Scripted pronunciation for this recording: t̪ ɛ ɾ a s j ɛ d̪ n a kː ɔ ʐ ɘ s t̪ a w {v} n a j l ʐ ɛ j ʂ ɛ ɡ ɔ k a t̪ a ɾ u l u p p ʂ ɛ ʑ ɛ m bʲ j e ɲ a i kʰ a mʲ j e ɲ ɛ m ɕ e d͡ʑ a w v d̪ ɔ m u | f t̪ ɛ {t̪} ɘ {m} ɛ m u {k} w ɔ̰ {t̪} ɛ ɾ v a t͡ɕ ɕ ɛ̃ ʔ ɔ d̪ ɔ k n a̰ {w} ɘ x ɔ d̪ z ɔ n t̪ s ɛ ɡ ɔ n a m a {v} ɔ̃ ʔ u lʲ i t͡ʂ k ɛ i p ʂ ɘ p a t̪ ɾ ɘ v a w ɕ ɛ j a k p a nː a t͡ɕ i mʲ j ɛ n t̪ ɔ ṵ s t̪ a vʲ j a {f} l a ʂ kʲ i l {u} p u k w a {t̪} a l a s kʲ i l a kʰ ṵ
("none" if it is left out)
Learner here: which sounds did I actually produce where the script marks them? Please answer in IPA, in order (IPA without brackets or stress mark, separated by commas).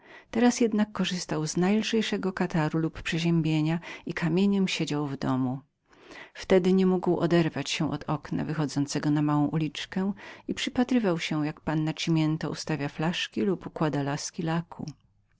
z, d̪, ɲ, ɡ, d̪, v, w, f, u, d̪